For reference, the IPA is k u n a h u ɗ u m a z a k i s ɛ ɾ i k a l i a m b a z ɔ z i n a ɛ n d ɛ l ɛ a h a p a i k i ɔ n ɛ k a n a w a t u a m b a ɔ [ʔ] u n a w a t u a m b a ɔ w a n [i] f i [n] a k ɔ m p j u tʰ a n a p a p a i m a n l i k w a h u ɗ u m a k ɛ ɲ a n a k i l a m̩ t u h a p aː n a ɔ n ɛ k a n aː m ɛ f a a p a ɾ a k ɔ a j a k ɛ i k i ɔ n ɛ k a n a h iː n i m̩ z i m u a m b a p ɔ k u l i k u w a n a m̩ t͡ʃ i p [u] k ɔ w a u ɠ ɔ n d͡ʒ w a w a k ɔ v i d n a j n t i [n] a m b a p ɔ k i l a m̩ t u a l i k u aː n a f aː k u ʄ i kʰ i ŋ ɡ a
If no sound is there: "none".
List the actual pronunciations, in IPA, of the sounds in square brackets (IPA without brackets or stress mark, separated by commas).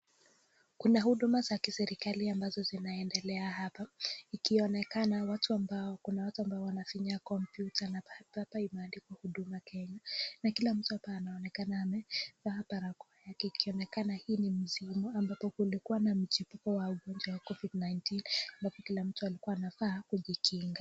k, a, ɲ, u, n